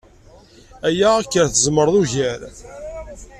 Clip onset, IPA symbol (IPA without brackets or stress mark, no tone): æ